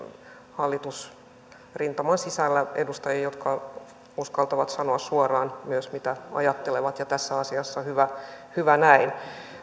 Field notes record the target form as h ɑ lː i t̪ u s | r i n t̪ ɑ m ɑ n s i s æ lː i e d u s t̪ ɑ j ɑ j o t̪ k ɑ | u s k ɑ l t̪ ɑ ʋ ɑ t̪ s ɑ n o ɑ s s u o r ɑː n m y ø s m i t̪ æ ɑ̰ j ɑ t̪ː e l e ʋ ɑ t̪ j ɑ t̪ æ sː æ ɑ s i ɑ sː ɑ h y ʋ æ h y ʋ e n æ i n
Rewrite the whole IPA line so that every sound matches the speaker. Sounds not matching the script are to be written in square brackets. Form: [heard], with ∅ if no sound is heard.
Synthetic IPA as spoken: h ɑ lː i t̪ u s | r i n t̪ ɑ m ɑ n s i s æ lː [æ] e d u s t̪ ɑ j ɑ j o t̪ k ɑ | u s k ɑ l t̪ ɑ ʋ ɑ t̪ s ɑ n o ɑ s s u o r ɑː n m y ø s m i t̪ æ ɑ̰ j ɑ t̪ː e l e ʋ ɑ t̪ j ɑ t̪ æ sː æ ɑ s i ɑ sː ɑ h y ʋ æ h y ʋ [æ] n æ i n